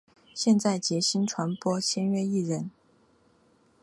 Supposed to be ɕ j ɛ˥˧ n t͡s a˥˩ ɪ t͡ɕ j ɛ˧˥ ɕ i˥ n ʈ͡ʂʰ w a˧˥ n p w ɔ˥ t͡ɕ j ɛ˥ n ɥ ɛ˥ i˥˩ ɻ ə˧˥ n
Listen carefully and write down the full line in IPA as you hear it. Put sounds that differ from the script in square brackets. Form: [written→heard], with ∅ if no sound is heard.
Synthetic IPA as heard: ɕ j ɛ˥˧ n t͡s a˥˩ ɪ t͡ɕ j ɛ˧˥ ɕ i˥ n ʈ͡ʂʰ w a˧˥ n p w ɔ˥ [t͡ɕ→t͡ɕʰ] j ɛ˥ n ɥ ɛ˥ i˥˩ ɻ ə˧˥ n